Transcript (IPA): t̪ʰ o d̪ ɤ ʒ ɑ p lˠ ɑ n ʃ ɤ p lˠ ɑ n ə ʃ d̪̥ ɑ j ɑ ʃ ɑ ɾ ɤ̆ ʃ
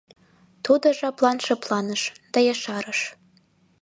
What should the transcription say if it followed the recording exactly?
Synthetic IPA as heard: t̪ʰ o d̪ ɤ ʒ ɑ p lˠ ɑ n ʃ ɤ p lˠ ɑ n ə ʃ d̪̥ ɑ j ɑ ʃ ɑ ɾ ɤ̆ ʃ

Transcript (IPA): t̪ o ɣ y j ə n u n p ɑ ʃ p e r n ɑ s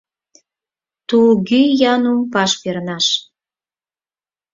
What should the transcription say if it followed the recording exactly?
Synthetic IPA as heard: t̪ u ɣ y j ɑ n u m p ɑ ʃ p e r n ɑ ʃ

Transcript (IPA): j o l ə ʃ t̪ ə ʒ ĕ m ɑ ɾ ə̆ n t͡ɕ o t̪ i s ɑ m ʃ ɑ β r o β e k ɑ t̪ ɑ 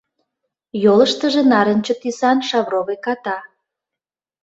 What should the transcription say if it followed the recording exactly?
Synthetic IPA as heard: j o l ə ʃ t̪ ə ʒ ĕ n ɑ ɾ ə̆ n t͡ɕ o t̪ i s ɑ n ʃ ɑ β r o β e k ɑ t̪ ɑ

